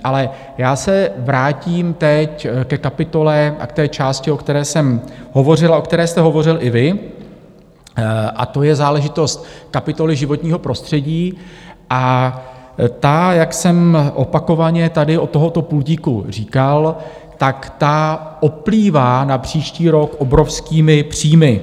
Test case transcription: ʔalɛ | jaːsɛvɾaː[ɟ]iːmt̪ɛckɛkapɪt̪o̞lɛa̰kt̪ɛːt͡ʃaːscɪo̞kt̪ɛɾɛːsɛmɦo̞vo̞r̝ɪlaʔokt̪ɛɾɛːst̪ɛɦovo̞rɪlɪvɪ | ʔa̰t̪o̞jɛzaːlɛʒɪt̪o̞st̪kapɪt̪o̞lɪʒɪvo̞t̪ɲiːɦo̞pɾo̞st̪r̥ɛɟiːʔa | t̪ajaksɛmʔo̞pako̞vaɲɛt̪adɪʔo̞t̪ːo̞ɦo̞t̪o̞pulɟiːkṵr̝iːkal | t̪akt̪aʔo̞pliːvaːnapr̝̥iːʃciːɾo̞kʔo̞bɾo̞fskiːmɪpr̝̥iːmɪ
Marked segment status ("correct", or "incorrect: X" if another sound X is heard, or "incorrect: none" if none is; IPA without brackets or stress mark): incorrect: c